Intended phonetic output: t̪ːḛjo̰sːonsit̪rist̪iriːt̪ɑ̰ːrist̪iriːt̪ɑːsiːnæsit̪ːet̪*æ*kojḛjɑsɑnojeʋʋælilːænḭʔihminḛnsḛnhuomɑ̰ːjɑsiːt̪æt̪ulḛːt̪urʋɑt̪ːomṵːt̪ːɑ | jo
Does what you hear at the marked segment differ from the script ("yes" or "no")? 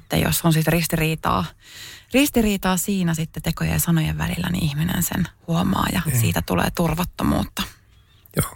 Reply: yes